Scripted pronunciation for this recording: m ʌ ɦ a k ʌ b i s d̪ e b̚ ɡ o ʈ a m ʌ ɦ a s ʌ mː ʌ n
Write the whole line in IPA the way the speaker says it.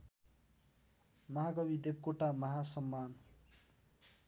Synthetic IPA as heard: m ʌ ɦ a ɡ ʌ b i d̪ e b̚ k o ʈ a m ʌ ɦ a s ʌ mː a n